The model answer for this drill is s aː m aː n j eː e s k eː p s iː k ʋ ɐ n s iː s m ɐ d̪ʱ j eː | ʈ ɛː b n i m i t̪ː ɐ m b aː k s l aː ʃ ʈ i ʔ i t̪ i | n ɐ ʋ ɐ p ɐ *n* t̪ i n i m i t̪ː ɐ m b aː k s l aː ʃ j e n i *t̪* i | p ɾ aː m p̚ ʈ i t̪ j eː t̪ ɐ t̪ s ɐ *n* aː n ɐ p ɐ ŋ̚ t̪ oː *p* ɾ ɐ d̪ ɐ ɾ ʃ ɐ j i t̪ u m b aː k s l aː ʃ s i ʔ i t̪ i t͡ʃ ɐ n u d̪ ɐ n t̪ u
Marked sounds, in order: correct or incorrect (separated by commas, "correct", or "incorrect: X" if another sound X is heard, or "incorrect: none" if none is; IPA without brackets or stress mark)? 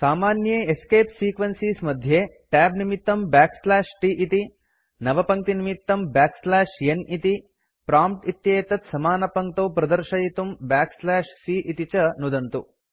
incorrect: ŋ, correct, incorrect: m, correct